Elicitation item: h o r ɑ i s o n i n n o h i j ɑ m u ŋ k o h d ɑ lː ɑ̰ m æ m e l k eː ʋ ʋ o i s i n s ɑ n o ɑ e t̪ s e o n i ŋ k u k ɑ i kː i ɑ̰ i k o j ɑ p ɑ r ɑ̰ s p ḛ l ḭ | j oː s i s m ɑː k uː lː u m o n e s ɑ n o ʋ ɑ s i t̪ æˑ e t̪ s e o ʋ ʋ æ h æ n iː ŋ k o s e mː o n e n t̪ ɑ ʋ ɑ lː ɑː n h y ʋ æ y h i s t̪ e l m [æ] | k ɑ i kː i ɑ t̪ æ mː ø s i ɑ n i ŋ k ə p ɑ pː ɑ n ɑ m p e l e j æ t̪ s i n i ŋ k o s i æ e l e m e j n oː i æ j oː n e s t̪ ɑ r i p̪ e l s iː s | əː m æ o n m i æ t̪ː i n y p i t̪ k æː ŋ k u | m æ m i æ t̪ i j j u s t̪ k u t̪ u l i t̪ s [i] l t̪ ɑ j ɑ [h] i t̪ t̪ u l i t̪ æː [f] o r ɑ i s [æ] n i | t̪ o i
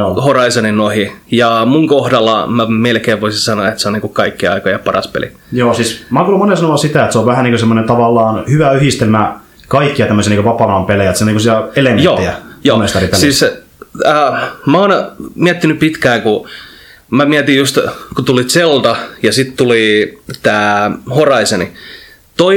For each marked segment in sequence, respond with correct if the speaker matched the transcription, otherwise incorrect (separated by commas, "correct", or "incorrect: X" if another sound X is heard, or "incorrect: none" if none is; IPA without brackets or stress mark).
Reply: correct, incorrect: e, incorrect: s, incorrect: h, incorrect: e